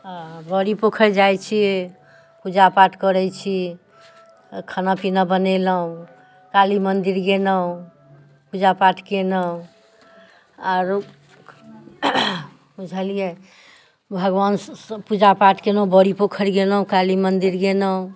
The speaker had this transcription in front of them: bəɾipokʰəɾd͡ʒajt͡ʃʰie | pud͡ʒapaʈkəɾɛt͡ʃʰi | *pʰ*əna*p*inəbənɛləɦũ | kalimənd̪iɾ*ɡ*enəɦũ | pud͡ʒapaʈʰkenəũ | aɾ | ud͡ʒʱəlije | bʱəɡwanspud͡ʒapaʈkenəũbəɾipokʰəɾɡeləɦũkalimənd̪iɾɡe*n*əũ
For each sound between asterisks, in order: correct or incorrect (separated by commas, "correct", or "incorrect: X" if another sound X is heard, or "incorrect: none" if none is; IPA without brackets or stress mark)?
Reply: incorrect: kʰ, correct, correct, correct